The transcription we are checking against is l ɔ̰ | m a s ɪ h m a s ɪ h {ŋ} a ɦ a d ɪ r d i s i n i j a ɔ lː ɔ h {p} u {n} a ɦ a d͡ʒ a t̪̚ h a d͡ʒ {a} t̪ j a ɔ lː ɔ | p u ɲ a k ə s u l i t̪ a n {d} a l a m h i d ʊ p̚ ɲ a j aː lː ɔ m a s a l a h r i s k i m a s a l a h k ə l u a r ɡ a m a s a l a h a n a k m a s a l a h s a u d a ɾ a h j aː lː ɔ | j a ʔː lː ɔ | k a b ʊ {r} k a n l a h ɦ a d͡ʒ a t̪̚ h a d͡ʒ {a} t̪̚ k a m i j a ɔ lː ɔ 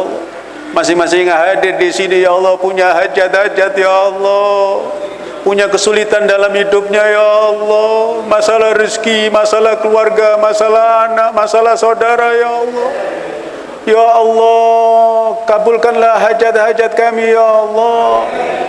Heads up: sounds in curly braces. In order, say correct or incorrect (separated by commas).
correct, correct, incorrect, correct, correct, incorrect, correct